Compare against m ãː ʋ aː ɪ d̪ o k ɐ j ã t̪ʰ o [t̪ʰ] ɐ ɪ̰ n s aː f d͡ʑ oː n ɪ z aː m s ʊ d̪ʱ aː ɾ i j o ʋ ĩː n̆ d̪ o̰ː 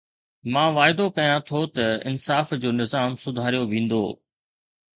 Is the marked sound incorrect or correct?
incorrect